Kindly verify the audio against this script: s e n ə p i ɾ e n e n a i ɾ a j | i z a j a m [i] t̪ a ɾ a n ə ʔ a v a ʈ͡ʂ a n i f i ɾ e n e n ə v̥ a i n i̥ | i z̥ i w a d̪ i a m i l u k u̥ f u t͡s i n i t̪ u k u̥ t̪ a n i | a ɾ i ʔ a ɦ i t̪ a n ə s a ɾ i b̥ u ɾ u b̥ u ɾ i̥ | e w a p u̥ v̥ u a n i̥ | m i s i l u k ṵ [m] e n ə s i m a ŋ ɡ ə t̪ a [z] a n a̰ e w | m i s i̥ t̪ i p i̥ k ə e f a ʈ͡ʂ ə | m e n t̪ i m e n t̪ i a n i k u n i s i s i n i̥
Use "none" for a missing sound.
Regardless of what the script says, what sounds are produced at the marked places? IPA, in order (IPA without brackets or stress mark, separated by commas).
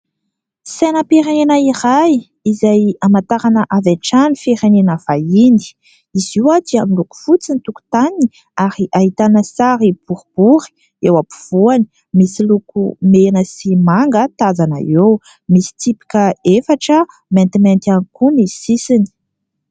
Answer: a, m, z